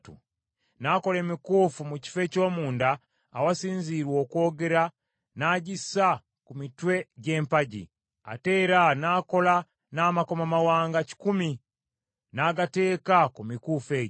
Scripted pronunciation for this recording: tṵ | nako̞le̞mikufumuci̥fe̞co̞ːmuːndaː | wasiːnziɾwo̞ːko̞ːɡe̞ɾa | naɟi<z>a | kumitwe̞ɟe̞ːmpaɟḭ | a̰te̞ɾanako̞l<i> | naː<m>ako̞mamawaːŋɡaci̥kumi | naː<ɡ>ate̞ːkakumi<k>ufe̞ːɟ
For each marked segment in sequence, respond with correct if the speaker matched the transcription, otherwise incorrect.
incorrect, incorrect, correct, correct, correct

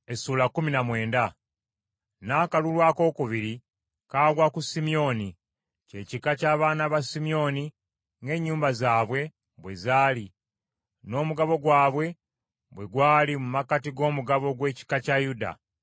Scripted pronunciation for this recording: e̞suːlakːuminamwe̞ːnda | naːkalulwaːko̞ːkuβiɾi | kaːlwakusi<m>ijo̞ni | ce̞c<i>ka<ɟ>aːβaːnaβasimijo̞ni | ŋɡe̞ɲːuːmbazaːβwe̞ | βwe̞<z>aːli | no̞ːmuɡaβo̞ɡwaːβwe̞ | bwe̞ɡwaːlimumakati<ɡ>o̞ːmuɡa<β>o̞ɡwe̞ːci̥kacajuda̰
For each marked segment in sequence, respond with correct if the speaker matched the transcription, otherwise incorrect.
correct, correct, incorrect, correct, correct, correct

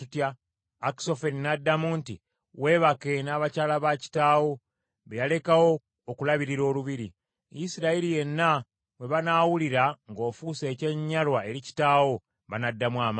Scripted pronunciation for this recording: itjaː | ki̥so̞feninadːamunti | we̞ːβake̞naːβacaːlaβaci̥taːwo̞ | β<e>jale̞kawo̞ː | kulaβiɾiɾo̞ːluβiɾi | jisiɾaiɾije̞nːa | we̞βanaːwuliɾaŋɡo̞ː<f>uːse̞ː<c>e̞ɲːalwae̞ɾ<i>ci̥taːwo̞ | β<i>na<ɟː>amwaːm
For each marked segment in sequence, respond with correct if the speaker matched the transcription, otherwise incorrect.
correct, correct, correct, correct, incorrect, incorrect

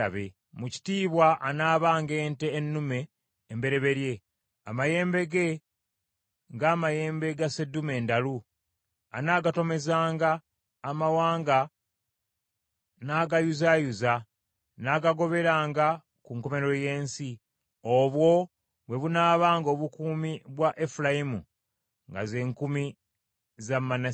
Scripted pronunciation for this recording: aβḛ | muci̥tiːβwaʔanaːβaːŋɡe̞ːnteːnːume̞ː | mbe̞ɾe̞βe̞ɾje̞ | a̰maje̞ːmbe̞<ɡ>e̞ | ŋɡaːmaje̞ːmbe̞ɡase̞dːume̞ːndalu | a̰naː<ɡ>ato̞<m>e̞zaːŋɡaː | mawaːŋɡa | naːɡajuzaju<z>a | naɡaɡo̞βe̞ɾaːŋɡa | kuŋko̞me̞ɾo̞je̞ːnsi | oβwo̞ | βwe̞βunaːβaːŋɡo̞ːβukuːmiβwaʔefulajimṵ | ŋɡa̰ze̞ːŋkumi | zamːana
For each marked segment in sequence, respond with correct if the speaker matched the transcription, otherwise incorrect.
correct, correct, correct, correct

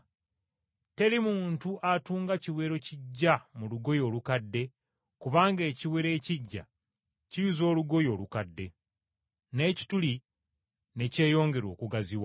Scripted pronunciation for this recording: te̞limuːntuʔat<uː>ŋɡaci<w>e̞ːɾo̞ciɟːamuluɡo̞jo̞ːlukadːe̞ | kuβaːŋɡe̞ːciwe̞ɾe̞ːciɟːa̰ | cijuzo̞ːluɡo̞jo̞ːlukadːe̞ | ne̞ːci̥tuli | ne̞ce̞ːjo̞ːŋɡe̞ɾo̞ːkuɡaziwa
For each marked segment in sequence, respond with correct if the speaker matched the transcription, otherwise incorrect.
correct, correct

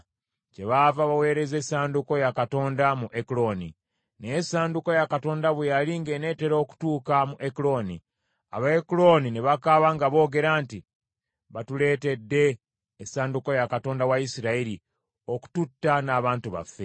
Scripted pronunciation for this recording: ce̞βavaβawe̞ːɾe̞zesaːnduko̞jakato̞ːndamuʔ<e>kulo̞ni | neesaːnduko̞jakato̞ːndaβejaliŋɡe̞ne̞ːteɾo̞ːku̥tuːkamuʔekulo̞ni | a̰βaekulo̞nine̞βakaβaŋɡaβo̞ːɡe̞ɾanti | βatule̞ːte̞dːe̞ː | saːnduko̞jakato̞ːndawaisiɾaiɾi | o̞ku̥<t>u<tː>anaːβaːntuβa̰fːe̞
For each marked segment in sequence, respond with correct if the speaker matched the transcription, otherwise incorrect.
correct, correct, correct

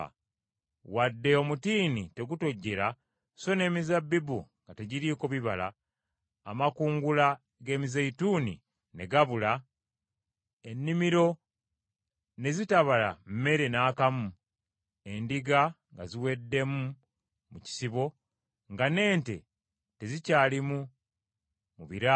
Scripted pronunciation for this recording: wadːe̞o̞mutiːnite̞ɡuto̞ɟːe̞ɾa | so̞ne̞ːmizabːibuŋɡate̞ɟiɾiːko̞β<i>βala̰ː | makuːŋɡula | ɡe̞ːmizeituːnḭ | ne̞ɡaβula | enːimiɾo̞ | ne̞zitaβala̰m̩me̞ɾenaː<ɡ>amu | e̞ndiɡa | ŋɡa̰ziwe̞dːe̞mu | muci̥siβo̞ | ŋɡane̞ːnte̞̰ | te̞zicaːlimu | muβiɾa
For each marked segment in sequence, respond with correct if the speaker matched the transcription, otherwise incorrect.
correct, incorrect

